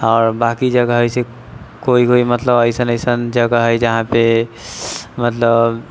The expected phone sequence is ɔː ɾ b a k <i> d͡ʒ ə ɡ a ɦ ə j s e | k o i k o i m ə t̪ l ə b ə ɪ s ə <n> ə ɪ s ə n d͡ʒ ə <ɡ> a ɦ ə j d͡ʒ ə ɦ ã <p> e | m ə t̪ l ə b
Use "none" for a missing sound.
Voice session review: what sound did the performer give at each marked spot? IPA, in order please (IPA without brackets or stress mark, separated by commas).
i, n, ɡ, p